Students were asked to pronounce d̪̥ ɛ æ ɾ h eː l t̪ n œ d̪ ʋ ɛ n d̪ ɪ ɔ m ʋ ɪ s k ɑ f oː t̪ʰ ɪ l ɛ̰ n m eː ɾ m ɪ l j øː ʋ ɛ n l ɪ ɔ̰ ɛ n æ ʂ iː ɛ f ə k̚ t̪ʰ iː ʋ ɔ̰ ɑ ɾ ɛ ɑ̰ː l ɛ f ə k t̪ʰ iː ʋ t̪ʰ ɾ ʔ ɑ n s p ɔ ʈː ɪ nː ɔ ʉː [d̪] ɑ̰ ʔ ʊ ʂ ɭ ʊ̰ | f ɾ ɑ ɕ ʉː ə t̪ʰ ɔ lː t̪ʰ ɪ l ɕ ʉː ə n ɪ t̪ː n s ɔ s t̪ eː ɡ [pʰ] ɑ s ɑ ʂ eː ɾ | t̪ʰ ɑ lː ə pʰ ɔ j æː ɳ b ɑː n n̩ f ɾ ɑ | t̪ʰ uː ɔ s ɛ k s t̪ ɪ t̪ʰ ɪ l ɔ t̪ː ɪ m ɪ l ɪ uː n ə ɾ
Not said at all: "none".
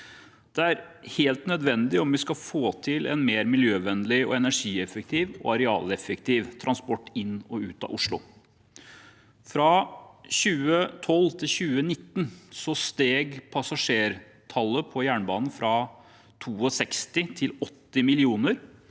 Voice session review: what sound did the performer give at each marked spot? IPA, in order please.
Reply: t̪, pʰ

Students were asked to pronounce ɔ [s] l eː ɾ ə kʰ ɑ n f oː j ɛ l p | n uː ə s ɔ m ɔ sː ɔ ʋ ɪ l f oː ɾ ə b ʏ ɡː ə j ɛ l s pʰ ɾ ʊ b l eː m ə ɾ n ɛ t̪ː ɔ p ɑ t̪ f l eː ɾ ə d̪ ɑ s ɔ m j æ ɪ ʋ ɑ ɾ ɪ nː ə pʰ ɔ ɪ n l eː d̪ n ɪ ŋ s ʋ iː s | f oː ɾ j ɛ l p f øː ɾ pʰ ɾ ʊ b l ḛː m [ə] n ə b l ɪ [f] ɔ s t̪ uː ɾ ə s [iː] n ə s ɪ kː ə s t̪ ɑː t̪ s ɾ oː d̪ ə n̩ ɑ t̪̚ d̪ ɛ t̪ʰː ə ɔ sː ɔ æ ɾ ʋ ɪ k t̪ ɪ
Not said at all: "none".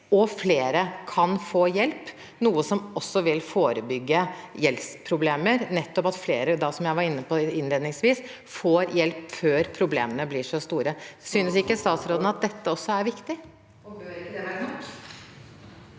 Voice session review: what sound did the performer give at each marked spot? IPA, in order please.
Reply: f, ə, ʂ, yː

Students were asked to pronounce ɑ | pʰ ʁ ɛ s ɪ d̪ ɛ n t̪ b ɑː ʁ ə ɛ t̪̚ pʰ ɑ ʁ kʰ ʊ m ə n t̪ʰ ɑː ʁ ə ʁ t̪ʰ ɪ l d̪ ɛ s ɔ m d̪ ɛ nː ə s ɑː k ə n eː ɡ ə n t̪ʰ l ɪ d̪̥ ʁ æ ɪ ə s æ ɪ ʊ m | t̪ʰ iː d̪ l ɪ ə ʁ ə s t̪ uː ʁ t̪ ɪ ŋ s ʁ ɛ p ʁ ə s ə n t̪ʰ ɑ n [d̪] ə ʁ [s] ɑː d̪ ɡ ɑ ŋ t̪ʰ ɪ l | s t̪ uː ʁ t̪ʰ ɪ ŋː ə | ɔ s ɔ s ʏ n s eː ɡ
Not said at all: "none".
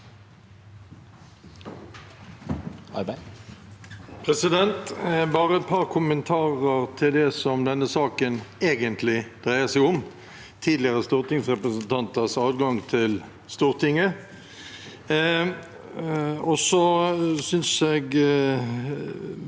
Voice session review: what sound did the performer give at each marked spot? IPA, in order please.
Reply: t̪, s

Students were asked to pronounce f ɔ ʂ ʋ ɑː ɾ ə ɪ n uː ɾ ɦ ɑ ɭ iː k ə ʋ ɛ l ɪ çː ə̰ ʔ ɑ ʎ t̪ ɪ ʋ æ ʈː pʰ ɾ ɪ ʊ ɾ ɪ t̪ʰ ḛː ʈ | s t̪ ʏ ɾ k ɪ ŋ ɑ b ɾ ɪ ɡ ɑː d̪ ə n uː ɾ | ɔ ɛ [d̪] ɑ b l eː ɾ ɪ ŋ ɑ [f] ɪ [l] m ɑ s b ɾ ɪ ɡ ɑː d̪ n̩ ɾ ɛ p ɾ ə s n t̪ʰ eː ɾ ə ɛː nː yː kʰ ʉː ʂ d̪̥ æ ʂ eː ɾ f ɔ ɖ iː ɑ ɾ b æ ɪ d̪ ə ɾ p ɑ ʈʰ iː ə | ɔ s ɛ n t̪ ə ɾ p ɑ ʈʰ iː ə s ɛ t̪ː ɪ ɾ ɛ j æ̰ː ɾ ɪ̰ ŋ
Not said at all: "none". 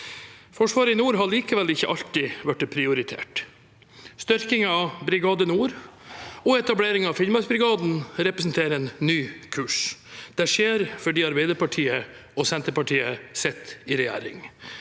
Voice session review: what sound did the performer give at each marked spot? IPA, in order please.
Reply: t̪, f, l

